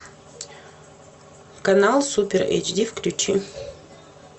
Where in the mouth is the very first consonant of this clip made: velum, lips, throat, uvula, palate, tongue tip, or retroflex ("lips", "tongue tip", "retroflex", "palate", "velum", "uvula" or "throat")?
velum